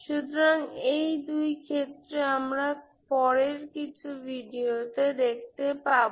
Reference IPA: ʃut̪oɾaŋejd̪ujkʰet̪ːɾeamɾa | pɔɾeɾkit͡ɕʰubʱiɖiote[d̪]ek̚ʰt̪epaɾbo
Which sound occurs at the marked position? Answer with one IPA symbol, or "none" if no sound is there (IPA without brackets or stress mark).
d̪